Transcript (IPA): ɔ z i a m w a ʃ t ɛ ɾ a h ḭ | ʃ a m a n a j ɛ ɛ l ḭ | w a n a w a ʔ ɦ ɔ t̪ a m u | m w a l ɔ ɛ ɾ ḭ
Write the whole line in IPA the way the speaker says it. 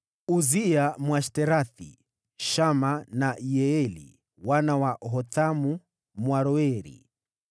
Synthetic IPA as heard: u z i a m w a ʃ t ɛ ɾ a θ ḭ | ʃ a m a n a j ɛ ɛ l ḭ | w a n a w a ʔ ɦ ɔ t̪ a m u | m w a ɾ ɔ ɛ ɾ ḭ